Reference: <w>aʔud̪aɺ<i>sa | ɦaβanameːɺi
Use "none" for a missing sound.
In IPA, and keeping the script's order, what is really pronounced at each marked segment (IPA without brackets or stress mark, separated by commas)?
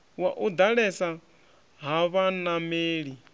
w, ɛ